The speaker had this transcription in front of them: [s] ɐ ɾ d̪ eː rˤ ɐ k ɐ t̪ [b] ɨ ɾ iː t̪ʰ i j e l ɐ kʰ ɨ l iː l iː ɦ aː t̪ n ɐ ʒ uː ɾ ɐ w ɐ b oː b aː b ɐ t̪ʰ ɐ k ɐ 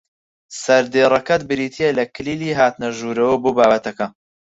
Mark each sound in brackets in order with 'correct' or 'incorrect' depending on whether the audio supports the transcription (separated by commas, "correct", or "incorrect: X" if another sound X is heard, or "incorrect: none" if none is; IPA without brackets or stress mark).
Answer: correct, correct